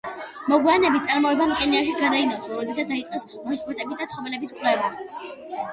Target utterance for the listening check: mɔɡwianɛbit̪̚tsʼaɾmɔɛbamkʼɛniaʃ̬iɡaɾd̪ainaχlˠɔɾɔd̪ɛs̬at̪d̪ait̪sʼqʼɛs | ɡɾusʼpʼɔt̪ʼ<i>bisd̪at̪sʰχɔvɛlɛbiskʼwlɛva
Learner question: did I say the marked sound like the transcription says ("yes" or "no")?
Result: no